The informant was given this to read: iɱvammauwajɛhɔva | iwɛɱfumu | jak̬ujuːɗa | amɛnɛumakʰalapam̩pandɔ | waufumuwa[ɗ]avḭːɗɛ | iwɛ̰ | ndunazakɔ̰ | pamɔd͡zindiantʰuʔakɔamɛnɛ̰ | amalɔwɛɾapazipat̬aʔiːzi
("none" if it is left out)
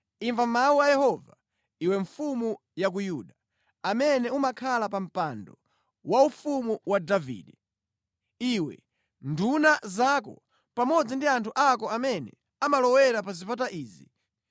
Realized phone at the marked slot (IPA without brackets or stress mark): d